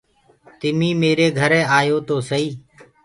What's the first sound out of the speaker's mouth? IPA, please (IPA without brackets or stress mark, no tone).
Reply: t̪